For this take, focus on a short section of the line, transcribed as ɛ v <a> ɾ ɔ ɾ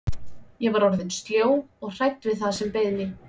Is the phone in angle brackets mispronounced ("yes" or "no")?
no